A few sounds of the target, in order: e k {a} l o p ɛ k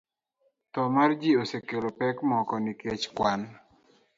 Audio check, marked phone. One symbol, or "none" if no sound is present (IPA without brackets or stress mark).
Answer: e